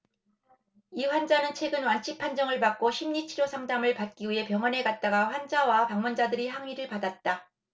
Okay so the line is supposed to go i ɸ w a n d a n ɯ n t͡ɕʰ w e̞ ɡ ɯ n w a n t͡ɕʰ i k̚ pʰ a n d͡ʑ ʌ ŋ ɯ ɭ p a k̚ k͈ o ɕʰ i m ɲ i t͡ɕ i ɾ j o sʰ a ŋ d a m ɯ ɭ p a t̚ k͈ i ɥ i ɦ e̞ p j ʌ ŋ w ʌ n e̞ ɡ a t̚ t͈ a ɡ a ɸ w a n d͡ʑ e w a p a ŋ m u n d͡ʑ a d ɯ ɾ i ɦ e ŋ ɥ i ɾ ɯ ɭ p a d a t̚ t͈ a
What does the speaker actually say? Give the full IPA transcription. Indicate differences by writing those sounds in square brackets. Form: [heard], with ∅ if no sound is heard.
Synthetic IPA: i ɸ w a n [d͡ʑ] a n ɯ n t͡ɕʰ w e̞ ɡ ɯ n w a n t͡ɕʰ i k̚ pʰ a n d͡ʑ ʌ ŋ ɯ ɭ p a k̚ k͈ o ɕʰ i m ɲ i [t͡ɕʰ] i ɾ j o sʰ a ŋ d a m ɯ ɭ p a t̚ k͈ i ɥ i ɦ e̞ p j ʌ ŋ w ʌ n e̞ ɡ a t̚ t͈ a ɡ a ɸ w a n d͡ʑ [a] w a p a ŋ m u n d͡ʑ a d ɯ ɾ i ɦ [a] ŋ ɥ i ɾ ɯ ɭ p a d a t̚ t͈ a

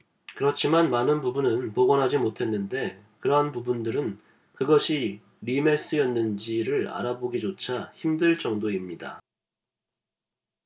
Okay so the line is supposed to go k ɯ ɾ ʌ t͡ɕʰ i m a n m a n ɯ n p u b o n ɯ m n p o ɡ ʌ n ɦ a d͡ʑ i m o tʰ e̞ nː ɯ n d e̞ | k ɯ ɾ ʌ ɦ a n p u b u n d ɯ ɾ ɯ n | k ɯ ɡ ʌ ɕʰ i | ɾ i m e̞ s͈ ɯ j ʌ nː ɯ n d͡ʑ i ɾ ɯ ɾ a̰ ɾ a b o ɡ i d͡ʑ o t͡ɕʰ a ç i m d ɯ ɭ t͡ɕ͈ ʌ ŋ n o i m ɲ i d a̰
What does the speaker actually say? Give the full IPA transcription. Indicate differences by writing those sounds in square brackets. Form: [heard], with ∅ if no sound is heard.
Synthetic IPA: k ɯ ɾ ʌ t͡ɕʰ i m a n m a n ɯ n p u b [u] n ɯ [∅] n p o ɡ ʌ n ɦ a d͡ʑ i m o tʰ e̞ nː ɯ n d e̞ | k ɯ ɾ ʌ ɦ a n p u b u n d ɯ ɾ ɯ n | k ɯ ɡ ʌ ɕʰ i | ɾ i m e̞ s͈ ɯ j ʌ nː ɯ n d͡ʑ i ɾ ɯ ɾ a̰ ɾ a b o ɡ i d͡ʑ o t͡ɕʰ a ç i m d ɯ ɭ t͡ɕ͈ ʌ ŋ [d] o i m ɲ i d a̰

